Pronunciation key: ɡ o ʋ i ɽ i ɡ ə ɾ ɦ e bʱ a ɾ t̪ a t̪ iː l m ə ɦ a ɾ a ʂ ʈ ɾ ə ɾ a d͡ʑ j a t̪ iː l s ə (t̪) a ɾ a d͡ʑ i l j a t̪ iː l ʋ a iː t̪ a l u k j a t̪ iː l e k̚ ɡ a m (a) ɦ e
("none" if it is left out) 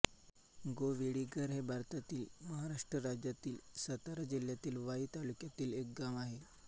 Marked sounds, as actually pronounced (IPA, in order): t̪, a

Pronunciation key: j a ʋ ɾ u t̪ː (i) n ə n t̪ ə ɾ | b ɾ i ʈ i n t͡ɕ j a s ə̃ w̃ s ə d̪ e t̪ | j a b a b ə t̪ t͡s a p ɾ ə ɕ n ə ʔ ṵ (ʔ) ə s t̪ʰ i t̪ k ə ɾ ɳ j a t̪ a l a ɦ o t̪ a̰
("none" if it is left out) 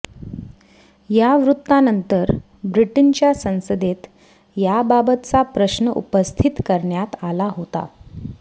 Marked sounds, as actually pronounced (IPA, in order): a, p

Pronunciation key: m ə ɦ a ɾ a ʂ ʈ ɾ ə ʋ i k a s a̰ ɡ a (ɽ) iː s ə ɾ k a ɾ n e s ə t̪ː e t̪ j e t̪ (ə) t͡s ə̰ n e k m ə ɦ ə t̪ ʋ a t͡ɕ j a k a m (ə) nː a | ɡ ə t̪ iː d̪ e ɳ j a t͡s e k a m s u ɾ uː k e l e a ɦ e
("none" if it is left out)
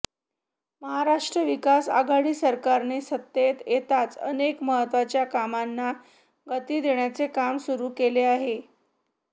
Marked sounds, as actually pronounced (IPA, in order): ɽ, a, a

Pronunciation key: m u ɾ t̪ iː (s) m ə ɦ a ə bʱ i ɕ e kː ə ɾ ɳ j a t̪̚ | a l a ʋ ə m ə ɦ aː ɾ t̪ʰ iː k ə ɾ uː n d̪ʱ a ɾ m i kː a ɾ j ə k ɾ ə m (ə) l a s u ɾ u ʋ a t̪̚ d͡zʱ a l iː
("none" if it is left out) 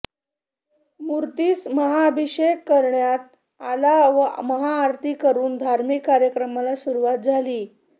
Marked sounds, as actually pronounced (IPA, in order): s, a

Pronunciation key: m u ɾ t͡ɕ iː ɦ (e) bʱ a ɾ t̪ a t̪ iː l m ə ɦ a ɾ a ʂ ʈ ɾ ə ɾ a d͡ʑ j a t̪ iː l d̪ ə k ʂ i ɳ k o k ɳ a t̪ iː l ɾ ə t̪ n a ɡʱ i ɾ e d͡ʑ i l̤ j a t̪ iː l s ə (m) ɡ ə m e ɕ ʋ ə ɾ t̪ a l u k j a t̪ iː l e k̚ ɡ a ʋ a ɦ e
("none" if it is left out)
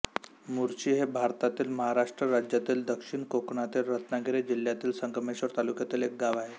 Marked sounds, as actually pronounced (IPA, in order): e, ŋ

